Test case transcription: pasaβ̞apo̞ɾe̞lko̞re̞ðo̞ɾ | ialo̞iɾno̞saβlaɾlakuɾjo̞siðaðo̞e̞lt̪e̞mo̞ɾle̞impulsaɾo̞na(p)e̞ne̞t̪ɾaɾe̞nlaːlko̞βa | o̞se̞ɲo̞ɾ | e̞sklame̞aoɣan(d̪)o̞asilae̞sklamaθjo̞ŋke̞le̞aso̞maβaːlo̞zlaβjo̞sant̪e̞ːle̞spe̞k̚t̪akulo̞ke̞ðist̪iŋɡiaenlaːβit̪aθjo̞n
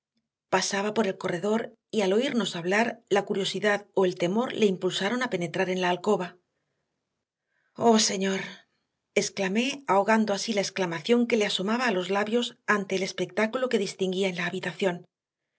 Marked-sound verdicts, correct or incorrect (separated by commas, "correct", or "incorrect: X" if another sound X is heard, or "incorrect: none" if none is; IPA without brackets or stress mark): correct, correct